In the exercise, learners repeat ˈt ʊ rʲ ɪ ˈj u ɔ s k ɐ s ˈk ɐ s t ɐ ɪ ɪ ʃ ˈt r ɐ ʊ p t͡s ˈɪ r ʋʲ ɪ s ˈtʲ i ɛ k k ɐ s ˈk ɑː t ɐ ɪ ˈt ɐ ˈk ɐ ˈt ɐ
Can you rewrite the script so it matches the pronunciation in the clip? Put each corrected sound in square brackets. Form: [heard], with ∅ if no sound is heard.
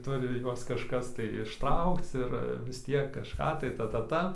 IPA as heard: ˈt ʊ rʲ ɪ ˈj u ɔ s k ɐ [ʃ] ˈk ɐ s t ɐ ɪ ɪ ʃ ˈt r ɐ ʊ [k] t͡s ˈɪ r ʋʲ ɪ s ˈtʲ i ɛ k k ɐ [ʃ] ˈk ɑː t ɐ ɪ ˈt ɐ [ˈt] ɐ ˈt ɐ